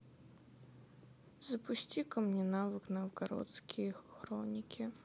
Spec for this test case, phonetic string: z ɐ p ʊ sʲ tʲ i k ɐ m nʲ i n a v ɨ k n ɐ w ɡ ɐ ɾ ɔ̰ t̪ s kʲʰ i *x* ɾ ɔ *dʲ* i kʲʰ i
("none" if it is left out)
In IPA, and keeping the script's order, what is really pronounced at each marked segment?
x, nʲ

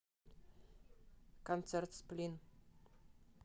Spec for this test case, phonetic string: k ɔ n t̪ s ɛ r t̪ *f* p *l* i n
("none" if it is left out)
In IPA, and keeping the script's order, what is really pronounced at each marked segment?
s, l

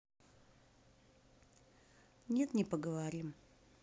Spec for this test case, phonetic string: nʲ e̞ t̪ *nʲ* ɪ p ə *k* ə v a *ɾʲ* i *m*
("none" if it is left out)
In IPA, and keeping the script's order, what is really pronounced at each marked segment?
nʲ, ɡ, ɾʲ, m

